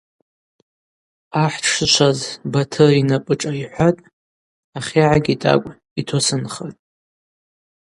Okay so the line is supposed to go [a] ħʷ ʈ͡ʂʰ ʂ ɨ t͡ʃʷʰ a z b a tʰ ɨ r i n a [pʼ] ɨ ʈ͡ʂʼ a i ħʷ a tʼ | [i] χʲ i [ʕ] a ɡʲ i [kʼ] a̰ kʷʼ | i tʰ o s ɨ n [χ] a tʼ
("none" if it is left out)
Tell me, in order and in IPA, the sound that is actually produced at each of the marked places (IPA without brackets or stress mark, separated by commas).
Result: a, pʼ, a, ʕ, tʼ, χ